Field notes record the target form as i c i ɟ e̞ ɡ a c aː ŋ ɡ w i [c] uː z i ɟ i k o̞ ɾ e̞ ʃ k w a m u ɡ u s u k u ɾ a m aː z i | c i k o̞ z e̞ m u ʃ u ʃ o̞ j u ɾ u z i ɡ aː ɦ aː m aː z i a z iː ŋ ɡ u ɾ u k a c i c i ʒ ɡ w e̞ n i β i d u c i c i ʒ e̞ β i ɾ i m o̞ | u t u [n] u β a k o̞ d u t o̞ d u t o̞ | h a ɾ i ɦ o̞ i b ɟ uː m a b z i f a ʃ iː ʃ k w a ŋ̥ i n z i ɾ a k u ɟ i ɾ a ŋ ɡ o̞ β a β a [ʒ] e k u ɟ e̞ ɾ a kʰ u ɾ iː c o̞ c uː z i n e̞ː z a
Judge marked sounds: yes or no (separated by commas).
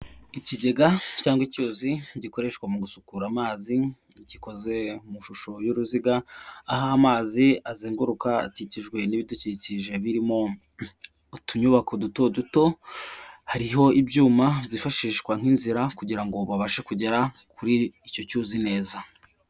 yes, no, no